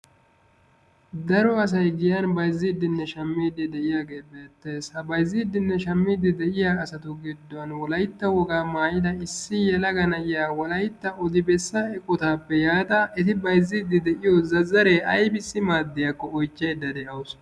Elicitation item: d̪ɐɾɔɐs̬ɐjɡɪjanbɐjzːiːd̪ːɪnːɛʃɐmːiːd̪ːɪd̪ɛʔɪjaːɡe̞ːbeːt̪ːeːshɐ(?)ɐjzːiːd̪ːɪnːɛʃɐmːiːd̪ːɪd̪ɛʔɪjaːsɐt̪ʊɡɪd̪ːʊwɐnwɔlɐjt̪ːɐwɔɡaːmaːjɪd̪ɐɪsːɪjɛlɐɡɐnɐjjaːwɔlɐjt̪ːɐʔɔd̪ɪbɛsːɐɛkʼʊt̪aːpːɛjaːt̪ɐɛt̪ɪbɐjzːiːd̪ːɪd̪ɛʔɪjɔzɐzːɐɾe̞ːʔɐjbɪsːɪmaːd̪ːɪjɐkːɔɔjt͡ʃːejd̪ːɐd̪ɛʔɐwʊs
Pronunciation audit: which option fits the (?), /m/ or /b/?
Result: b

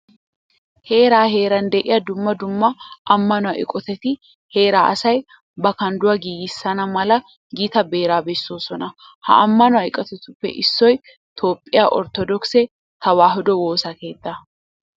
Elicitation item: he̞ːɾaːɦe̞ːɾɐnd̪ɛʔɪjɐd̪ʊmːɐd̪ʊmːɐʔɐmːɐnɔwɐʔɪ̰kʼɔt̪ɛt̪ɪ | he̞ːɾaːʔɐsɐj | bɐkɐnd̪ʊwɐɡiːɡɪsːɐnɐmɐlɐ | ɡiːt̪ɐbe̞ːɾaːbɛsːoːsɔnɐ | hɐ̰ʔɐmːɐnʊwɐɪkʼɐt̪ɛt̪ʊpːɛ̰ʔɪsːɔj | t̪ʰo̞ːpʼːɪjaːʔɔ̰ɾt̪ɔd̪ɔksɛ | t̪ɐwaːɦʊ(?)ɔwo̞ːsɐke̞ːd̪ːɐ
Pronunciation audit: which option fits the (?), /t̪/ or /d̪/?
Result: d̪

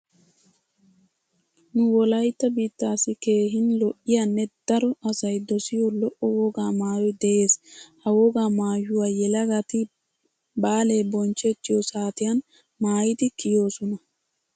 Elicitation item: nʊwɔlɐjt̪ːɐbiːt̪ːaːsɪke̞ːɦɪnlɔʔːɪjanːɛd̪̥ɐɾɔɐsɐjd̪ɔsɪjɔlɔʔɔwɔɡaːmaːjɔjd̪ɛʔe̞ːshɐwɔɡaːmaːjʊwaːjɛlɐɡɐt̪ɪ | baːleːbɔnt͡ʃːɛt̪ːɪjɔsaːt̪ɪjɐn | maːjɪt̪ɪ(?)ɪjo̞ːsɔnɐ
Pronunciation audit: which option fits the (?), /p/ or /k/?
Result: k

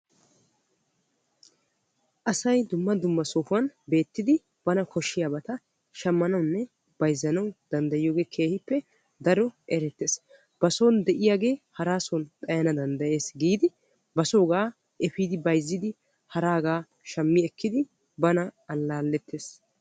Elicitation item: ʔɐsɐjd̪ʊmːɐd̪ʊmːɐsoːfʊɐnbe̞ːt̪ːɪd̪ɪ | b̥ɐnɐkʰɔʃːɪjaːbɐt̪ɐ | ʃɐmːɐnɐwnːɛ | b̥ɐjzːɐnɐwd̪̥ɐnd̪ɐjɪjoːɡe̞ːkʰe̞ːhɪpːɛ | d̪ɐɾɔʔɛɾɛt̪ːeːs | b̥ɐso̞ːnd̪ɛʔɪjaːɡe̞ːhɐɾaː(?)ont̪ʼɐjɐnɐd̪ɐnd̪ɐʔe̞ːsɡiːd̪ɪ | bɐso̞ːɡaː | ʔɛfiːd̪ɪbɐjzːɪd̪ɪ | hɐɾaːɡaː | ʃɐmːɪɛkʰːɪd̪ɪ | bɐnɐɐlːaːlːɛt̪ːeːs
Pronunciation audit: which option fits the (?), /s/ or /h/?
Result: s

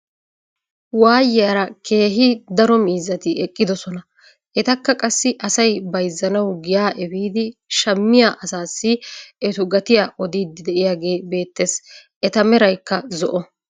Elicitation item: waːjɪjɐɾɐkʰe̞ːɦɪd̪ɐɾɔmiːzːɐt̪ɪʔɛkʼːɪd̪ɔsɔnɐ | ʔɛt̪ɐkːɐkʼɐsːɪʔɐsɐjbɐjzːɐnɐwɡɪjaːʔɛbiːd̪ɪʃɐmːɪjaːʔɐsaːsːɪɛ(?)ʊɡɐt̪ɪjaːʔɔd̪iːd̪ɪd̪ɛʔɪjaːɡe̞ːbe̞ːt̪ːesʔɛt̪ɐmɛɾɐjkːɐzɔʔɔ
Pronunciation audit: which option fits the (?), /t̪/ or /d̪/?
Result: t̪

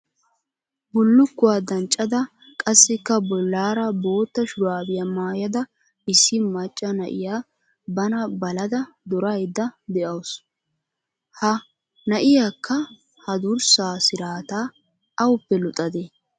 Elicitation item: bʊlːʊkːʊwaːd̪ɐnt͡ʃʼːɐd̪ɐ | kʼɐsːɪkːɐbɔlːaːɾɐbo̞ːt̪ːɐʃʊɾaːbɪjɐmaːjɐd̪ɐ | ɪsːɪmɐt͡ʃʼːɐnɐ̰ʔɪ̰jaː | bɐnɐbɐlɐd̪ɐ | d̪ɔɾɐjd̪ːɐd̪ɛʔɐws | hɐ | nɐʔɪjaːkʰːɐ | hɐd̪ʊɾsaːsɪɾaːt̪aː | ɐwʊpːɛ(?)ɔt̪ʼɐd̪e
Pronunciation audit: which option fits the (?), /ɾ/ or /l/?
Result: l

